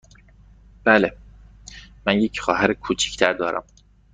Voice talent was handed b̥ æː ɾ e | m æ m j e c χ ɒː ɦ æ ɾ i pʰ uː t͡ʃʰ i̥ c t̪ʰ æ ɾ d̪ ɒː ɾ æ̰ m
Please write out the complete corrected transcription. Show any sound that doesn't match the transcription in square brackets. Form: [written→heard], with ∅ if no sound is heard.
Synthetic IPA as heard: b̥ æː [ɾ→l] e | m æ [m→n] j e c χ ɒː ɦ æ ɾ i [pʰ→kʰ] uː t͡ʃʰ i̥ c t̪ʰ æ ɾ d̪ ɒː ɾ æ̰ m